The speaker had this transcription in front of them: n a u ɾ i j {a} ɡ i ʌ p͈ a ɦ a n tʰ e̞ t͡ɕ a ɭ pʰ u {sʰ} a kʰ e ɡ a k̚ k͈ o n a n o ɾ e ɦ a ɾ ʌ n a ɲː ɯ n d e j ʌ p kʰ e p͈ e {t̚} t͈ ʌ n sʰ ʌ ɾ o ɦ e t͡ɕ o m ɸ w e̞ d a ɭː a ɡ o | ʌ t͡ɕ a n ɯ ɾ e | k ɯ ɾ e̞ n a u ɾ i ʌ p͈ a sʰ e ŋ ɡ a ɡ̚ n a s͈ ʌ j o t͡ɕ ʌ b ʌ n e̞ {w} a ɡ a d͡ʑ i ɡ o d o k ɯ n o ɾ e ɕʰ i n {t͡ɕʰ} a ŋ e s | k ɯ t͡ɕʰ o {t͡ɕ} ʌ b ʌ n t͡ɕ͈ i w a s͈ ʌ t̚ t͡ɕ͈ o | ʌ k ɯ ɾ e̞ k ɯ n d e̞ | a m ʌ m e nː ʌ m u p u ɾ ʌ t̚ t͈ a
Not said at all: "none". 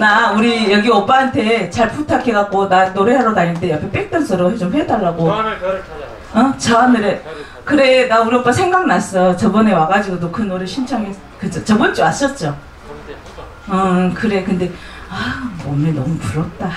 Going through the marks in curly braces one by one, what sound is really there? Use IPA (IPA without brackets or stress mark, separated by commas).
ʌ, tʰ, k̚, w, t͡ɕʰ, t͡ɕ